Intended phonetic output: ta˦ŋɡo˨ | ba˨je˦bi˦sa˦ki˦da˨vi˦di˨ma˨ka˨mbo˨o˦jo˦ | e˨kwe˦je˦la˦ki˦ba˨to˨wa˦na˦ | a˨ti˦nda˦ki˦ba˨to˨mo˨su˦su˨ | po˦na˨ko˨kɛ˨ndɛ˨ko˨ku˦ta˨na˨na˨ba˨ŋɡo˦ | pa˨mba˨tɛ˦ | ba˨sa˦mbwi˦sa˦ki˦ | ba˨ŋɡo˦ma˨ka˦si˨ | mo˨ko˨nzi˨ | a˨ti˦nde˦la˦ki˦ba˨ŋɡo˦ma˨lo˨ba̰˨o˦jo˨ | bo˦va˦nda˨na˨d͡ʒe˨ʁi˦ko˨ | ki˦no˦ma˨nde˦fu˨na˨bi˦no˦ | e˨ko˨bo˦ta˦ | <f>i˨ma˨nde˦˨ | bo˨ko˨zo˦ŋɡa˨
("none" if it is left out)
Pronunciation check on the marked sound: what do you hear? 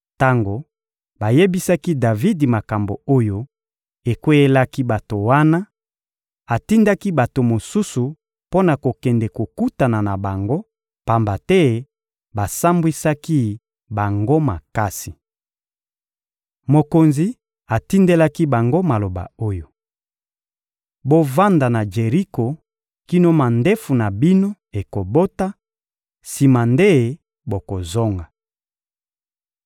s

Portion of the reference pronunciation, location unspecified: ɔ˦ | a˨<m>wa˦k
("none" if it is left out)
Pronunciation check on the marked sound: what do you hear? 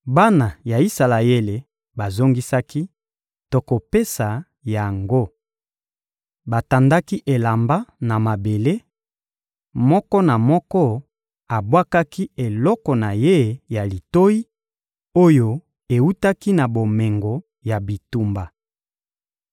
b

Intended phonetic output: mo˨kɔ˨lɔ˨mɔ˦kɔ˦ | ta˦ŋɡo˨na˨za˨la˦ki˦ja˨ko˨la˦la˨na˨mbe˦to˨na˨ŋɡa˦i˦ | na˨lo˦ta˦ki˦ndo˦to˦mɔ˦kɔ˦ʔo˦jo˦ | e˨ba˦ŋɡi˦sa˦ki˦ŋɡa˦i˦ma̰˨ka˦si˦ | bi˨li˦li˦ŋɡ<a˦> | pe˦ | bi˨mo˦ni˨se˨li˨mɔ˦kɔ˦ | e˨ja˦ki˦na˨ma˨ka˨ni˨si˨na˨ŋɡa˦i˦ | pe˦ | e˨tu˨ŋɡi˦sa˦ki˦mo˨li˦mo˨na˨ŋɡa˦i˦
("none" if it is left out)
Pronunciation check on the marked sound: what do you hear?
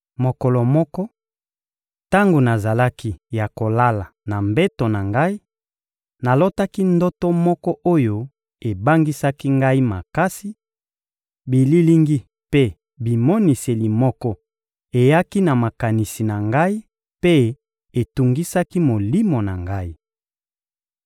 i˦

